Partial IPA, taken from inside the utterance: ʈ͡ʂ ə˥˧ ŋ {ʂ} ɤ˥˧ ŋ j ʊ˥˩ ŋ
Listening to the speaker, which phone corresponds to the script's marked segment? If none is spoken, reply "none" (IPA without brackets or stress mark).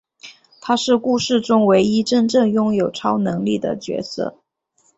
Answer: ʈ͡ʂ